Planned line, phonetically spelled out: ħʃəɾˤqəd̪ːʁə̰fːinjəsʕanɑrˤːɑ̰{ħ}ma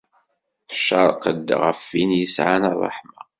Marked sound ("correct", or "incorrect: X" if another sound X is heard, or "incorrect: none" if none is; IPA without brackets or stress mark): correct